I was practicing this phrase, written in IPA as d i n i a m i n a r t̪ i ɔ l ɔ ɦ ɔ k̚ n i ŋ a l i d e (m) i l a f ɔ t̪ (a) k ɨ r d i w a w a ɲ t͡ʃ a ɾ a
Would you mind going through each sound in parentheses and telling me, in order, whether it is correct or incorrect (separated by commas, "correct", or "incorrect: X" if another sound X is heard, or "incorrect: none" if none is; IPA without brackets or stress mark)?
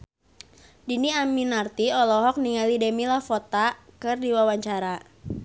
correct, correct